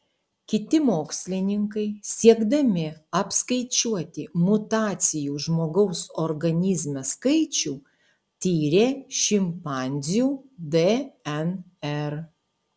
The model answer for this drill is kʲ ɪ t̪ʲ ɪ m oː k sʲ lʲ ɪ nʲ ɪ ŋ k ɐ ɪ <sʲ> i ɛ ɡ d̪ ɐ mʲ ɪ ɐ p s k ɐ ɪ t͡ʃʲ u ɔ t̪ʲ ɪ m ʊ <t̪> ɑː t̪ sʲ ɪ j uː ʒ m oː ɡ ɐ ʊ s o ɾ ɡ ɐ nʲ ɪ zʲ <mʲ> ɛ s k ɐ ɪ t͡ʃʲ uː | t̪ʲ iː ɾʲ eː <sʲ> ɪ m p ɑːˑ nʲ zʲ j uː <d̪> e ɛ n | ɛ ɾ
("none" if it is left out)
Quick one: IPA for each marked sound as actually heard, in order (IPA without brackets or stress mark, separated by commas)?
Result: sʲ, t̪, mʲ, ʃʲ, d̪